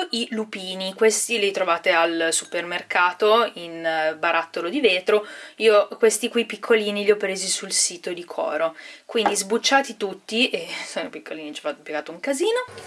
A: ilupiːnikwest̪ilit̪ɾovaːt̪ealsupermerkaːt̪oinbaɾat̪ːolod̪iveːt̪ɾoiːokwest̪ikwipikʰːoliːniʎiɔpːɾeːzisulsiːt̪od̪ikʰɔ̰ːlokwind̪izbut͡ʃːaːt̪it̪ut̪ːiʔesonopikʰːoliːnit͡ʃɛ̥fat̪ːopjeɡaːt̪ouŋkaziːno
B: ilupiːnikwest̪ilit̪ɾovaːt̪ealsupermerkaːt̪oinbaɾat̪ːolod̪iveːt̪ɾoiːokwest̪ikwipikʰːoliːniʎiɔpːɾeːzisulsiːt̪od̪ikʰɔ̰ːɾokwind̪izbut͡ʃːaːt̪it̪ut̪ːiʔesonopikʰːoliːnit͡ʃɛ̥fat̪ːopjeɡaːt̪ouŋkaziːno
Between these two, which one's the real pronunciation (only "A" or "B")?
B